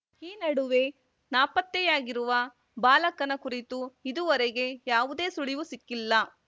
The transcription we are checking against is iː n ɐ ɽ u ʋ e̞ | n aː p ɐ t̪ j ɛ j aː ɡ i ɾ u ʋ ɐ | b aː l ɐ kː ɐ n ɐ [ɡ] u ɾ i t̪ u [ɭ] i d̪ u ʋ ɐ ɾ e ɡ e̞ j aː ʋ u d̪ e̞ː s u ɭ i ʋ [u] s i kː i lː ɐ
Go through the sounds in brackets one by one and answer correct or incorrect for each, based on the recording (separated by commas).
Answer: incorrect, incorrect, correct